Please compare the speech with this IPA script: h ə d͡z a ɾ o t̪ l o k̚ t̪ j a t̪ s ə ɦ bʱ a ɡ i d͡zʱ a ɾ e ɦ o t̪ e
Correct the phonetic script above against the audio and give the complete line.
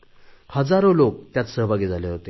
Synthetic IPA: h ə d͡z a ɾ o l o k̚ t̪ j a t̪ s ə ɦ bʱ a ɡ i d͡zʱ a l e ɦ o t̪ e

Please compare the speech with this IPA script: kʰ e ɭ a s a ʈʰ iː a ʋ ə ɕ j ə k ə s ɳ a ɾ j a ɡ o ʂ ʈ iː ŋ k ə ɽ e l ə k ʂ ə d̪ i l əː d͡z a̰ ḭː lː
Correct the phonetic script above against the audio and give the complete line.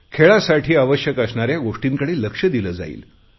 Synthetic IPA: kʰ e ɭ a s a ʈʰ iː a ʋ ə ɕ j ə k ə s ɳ a ɾ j a ɡ o ʂ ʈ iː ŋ k ə ɽ e l ə k ʂ ə d̪ i l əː d͡z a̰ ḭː l

